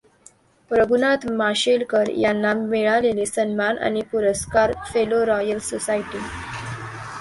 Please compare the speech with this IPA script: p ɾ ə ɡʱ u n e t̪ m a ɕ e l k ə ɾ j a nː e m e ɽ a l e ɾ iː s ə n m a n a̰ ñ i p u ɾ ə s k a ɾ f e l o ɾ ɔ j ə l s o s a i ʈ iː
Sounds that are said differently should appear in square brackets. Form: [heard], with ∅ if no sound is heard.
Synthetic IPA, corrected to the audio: p ɾ ə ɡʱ u n [a] t̪ m a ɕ e l k ə ɾ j a nː [a] m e [ɭ] a l e [l] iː s ə n m a n a̰ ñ i p u ɾ ə s k a ɾ f e l o ɾ ɔ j ə l s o s a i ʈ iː